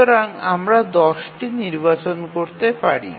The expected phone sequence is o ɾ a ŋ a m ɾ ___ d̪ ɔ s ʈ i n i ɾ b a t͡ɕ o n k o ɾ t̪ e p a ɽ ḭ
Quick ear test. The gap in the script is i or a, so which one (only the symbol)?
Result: a